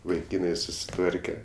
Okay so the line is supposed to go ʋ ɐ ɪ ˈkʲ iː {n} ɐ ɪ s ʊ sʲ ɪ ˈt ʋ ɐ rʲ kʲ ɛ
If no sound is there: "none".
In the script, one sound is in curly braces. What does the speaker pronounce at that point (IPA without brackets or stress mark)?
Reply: n